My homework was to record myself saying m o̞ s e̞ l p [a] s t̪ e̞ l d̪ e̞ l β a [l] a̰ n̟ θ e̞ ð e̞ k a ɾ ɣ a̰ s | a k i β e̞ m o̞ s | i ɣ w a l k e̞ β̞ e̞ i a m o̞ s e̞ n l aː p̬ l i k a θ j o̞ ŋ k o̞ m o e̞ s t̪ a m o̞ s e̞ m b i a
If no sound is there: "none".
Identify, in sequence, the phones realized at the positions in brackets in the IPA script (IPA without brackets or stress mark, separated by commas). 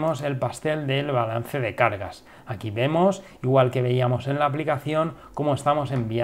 a, l